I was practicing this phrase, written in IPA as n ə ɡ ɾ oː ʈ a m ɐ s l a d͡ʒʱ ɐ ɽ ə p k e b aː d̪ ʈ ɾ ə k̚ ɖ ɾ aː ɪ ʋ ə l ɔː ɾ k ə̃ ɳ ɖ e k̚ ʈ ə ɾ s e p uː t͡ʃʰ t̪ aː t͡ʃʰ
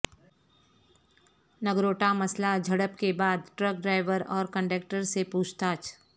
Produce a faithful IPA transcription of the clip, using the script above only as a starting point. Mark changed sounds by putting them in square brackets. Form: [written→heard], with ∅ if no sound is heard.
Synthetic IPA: n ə ɡ ɾ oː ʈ a m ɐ s l a d͡ʒʱ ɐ ɽ ə p k e b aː d̪ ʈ ɾ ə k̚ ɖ ɾ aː ɪ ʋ ə [l→ɾ] ɔː ɾ k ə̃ ɳ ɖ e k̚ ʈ ə ɾ s e p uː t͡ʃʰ t̪ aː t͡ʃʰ